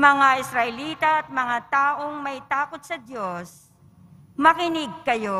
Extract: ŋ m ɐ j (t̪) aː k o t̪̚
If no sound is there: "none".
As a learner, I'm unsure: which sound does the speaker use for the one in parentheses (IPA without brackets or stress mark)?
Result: t̪